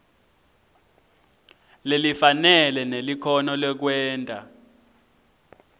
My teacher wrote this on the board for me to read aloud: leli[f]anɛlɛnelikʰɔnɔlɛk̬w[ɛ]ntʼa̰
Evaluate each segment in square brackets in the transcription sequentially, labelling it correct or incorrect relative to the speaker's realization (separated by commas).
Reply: correct, incorrect